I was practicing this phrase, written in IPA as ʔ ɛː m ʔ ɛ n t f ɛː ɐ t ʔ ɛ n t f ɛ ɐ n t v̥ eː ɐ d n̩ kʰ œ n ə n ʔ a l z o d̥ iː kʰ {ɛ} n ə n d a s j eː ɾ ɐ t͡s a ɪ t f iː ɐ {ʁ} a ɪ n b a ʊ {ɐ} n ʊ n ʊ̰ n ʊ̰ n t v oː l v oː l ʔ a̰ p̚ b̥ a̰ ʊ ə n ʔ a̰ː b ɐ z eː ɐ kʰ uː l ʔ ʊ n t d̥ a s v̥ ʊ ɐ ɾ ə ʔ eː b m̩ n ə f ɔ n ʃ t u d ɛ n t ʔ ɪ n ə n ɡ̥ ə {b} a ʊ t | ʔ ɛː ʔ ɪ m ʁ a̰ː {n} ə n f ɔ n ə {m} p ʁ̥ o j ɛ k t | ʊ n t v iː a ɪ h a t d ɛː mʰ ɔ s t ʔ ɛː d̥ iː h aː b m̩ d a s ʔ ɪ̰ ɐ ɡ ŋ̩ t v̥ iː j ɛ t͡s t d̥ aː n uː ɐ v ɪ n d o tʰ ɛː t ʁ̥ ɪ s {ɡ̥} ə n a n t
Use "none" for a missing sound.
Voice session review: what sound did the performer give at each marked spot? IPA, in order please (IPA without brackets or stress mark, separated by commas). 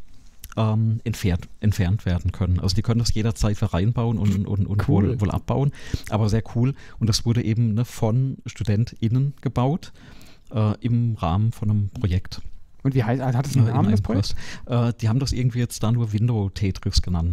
œ, ʁ, ə, b, m, m, ɡ̥